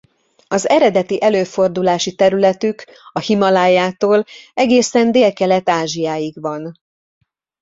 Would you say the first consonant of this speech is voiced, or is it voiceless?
voiced